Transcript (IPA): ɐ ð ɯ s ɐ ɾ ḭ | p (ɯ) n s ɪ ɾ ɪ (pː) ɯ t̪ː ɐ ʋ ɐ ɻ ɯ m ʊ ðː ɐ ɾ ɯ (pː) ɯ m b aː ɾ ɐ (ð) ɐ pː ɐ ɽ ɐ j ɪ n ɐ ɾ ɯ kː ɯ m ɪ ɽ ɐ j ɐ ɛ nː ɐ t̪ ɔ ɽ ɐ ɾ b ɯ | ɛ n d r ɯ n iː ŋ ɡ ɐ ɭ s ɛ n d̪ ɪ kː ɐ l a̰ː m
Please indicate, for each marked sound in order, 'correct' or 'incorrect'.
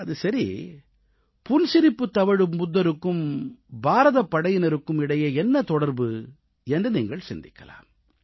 incorrect: ʊ, correct, incorrect: kː, correct

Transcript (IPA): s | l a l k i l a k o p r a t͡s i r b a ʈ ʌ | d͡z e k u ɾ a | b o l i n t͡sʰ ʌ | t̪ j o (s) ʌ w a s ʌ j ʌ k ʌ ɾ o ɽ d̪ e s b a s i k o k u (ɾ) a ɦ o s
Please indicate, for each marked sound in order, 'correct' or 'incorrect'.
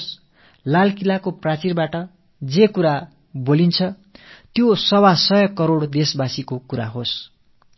correct, correct

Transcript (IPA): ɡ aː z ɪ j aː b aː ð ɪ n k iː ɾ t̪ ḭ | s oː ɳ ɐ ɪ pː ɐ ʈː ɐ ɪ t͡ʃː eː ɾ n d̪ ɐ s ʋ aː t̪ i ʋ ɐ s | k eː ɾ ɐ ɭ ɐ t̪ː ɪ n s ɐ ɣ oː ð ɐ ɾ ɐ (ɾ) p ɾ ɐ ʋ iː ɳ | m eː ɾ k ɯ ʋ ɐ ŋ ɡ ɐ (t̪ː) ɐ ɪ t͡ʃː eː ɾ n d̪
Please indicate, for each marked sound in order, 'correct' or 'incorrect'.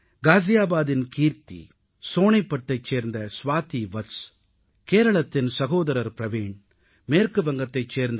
correct, correct

